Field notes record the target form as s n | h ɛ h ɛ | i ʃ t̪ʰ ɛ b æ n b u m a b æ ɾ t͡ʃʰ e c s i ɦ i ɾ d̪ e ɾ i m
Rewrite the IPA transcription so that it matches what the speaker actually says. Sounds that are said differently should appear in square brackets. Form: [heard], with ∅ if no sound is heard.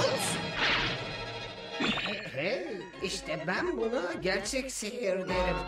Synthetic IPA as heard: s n | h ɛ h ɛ | i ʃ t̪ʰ ɛ b æ n b u [n] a [ɟ] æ ɾ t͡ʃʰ [ɛ] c s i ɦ i ɾ d̪ e ɾ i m